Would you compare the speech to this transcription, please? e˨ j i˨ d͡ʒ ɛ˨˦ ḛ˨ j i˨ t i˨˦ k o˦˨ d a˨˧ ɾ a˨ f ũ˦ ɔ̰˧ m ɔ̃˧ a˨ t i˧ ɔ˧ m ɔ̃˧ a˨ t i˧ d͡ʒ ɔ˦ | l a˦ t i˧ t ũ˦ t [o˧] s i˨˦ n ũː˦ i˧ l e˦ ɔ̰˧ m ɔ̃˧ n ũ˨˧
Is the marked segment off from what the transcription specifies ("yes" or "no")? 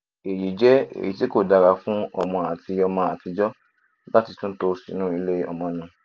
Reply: no